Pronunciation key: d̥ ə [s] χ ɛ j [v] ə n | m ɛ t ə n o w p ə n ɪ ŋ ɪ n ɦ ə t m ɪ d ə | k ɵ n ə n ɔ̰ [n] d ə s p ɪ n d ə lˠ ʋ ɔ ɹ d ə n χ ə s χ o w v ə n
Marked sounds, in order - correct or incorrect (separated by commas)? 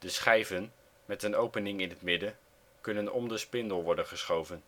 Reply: correct, correct, incorrect